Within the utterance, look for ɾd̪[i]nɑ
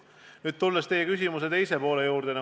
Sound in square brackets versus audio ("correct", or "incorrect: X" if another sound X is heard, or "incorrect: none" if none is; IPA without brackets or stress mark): incorrect: e